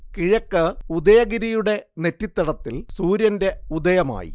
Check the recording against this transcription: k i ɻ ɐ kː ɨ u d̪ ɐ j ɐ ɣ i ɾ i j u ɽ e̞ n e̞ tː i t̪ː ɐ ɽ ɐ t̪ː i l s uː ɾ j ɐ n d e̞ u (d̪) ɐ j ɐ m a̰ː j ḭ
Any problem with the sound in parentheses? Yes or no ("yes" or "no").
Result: no